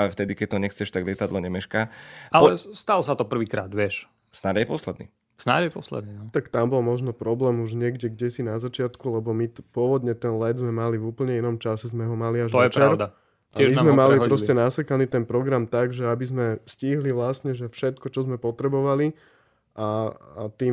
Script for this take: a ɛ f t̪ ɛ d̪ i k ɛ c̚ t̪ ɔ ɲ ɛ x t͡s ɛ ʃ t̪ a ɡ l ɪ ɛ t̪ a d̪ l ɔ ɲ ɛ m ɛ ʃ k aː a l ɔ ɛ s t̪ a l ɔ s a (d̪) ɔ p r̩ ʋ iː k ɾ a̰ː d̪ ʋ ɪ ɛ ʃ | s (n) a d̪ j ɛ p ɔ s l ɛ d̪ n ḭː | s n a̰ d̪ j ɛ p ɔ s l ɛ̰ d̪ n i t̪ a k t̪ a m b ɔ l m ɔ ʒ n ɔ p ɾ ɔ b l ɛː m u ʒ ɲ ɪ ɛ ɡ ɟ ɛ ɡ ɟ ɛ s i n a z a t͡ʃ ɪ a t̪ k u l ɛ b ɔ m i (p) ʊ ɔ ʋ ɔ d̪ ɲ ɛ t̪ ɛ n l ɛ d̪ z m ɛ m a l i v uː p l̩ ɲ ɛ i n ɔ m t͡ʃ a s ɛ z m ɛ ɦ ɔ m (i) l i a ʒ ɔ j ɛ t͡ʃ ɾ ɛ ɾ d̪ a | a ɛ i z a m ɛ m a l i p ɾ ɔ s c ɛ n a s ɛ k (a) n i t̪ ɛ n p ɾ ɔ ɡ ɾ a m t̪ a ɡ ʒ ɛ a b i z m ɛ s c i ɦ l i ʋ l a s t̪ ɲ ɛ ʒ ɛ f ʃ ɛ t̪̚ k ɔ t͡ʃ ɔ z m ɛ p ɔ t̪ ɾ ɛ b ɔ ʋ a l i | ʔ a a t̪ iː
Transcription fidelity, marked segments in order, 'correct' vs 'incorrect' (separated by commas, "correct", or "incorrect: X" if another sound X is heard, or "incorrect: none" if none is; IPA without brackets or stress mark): incorrect: t̪, correct, correct, incorrect: a, correct